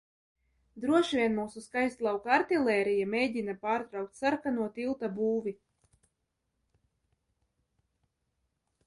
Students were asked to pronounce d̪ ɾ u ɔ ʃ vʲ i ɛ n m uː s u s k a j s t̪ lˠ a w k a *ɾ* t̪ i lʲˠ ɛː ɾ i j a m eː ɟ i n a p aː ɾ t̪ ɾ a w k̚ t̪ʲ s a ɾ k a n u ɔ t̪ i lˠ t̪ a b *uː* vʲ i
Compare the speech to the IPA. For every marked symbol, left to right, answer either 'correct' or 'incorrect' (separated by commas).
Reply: correct, correct